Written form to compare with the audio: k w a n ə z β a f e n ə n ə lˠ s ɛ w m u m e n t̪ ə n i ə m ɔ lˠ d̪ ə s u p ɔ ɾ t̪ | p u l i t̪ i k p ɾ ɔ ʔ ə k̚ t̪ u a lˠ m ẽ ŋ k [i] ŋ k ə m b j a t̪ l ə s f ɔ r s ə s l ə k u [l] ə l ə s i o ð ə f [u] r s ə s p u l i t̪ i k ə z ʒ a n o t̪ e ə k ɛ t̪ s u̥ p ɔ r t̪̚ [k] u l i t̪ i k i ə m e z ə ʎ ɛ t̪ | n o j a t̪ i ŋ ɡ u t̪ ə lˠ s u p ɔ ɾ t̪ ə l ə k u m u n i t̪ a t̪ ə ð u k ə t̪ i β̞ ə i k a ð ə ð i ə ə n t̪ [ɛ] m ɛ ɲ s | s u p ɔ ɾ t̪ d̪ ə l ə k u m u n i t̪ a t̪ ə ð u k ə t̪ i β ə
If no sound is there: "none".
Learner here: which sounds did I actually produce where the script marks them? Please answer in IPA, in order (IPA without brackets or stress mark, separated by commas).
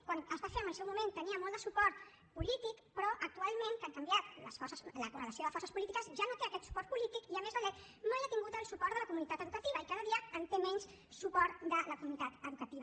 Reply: a, r, ɔ, p, e